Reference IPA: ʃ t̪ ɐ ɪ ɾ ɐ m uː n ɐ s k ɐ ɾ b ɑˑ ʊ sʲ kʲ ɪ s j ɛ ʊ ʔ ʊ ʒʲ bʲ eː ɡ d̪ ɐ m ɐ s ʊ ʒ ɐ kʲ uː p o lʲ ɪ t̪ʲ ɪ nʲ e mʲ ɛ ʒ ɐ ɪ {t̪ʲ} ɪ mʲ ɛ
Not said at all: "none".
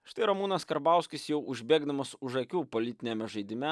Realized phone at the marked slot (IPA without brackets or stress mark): d̪ʲ